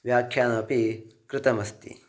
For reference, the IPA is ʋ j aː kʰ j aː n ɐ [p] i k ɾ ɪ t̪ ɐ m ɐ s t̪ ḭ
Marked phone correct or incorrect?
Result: correct